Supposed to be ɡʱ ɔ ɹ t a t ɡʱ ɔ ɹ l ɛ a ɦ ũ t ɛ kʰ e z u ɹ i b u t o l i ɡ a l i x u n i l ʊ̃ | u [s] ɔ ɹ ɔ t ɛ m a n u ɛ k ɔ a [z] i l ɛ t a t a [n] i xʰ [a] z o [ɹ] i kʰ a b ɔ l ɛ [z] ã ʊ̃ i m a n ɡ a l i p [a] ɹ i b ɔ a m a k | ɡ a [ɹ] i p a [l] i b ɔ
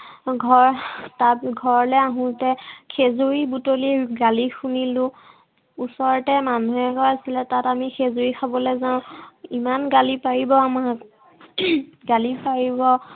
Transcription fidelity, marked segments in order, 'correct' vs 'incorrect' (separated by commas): correct, incorrect, incorrect, incorrect, correct, correct, correct, incorrect, incorrect